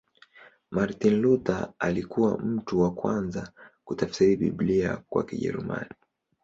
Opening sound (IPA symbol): m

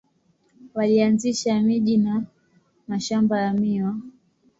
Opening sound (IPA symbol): w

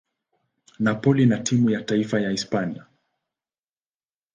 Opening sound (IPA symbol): n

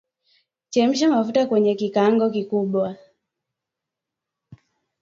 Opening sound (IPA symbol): t͡ʃ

